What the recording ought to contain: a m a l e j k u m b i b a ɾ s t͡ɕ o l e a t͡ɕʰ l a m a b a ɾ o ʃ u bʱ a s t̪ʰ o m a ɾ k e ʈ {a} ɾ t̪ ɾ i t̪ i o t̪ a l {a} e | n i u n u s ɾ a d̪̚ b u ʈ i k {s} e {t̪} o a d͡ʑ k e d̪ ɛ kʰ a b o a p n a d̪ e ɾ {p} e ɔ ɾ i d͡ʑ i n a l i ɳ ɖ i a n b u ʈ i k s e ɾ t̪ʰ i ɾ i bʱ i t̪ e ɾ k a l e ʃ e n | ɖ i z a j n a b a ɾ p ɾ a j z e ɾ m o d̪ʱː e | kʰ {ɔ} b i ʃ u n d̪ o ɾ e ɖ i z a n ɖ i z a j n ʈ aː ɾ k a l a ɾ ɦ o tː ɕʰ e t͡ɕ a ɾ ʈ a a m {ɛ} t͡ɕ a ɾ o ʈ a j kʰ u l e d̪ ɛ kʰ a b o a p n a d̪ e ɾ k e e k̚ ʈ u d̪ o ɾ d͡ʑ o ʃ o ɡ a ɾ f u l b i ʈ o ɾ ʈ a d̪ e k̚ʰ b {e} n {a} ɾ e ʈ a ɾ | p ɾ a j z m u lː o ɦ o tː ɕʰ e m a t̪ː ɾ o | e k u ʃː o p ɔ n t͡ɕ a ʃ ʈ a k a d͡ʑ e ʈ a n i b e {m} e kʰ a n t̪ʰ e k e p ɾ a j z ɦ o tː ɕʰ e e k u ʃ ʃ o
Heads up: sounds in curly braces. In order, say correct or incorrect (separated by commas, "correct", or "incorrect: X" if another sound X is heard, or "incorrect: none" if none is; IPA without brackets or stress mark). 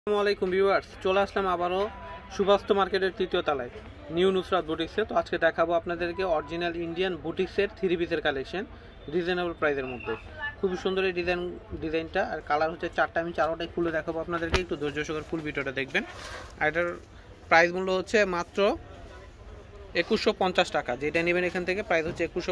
incorrect: e, correct, correct, correct, incorrect: k, incorrect: u, incorrect: i, correct, correct, incorrect: n